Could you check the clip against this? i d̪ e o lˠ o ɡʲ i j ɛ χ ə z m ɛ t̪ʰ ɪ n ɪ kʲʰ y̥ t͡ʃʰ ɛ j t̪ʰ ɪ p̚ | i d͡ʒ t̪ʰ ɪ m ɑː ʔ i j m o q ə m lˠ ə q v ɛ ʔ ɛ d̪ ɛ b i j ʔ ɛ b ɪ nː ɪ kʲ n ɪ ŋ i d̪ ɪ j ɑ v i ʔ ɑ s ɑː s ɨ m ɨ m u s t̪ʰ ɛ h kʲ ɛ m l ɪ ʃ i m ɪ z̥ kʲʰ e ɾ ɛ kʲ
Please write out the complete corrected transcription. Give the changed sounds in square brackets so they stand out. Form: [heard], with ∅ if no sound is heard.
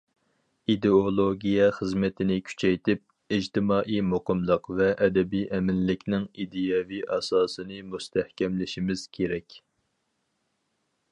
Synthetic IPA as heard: i d̪ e o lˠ o ɡʲ i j ɛ χ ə z m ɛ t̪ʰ ɪ n ɪ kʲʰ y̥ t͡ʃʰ ɛ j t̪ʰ ɪ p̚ | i d͡ʒ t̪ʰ ɪ m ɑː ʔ i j m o q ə m lˠ ə q v ɛ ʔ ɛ d̪ ɛ b i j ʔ ɛ [m] ɪ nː ɪ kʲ n ɪ ŋ i d̪ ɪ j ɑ v i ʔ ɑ s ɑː s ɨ [n] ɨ m u s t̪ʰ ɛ h kʲ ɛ m l ɪ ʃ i m ɪ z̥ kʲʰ e ɾ ɛ kʲ